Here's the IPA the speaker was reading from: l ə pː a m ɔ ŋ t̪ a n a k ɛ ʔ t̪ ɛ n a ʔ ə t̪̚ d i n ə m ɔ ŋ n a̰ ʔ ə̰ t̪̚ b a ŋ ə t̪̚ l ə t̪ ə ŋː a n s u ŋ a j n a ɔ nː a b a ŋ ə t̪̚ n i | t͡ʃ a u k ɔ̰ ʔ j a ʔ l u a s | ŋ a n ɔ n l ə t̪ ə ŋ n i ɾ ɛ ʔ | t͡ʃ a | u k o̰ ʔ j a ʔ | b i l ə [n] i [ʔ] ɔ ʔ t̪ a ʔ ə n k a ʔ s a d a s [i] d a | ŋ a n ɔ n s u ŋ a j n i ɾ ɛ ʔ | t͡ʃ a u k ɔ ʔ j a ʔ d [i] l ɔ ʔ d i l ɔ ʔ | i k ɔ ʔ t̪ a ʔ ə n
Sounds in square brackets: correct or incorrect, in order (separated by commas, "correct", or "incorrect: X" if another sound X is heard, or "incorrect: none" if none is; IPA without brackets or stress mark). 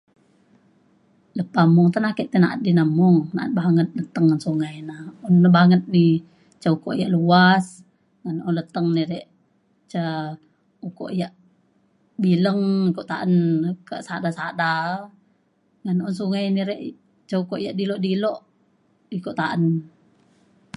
incorrect: ŋ, incorrect: k, incorrect: a, correct